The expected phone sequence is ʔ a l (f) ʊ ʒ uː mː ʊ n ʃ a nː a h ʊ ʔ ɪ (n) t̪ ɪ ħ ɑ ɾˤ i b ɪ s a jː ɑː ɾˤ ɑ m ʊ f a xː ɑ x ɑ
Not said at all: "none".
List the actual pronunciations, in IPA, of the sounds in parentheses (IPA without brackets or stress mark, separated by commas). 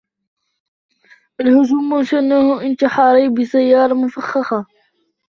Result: h, n